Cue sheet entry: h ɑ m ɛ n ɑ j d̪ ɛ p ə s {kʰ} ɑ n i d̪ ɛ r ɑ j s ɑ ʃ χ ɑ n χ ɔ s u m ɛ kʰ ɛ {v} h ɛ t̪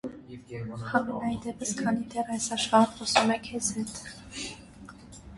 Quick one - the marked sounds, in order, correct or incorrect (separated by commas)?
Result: correct, incorrect